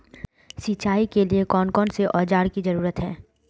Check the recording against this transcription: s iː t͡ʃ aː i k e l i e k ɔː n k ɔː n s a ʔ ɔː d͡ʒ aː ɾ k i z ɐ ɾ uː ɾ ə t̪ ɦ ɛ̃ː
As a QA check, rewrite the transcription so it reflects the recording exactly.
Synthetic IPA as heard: s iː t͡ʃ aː i k e l i e k ɔː n k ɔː n s e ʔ ɔː d͡ʒ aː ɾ k i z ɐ ɾ uː ɾ ə t̪ ɦ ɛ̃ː